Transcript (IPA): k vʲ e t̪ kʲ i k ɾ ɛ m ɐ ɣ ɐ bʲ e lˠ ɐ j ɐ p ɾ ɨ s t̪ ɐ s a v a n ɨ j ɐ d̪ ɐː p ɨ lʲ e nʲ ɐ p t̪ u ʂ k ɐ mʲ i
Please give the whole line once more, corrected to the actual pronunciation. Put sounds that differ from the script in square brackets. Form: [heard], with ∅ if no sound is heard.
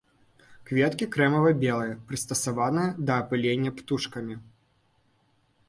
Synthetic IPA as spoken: k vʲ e t̪ kʲ i k ɾ ɛ m ɐ [v] ɐ bʲ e lˠ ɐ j ɐ p ɾ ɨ s t̪ ɐ s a v a n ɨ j ɐ d̪ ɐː p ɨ lʲ e [nʲː] ɐ p t̪ u ʂ k ɐ mʲ i